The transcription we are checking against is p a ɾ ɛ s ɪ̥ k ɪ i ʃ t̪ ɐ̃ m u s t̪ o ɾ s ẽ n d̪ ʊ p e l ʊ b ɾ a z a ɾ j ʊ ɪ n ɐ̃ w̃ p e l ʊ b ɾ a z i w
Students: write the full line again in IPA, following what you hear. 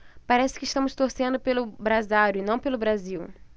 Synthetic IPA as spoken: p a ɾ ɛ s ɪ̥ k ɪ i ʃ t̪ ɐ̃ m ʊ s t̪ o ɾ s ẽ n d̪ ʊ p e l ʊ b ɾ a z a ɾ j ʊ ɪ n ɐ̃ w̃ p e l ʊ b ɾ a z i w